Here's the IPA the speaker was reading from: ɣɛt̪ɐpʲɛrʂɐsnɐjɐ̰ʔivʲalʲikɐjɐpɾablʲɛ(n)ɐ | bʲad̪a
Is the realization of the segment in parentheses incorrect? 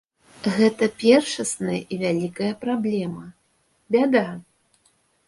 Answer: yes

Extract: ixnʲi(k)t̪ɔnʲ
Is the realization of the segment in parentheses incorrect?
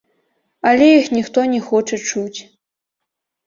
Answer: yes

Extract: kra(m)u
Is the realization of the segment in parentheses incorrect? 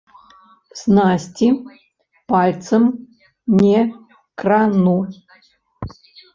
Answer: yes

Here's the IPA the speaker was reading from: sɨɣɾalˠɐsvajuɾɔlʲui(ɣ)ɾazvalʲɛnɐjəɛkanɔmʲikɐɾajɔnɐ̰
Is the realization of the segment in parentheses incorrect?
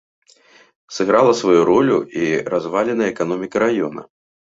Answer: yes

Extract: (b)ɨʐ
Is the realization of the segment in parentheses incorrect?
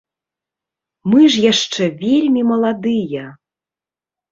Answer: yes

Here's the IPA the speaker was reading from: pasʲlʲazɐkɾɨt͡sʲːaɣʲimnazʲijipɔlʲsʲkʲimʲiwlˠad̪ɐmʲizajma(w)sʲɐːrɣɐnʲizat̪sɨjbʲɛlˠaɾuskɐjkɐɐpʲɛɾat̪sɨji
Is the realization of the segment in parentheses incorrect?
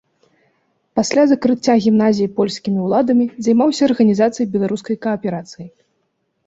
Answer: no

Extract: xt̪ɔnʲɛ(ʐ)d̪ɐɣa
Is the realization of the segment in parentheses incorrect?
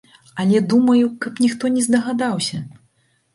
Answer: yes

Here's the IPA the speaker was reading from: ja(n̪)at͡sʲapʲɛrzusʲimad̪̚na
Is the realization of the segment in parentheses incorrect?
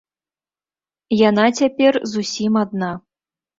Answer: no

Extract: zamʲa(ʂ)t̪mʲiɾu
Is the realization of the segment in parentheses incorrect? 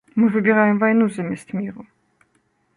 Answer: yes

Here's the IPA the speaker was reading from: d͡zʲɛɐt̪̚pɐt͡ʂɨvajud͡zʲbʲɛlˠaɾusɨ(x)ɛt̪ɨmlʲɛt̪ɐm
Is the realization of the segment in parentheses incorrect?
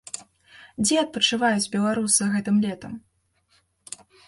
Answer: yes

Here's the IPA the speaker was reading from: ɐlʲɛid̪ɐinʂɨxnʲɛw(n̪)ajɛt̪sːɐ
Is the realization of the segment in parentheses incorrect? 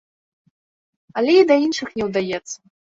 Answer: yes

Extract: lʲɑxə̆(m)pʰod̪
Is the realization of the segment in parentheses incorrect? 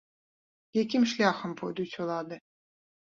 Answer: no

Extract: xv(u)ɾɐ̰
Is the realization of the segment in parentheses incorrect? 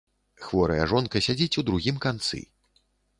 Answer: yes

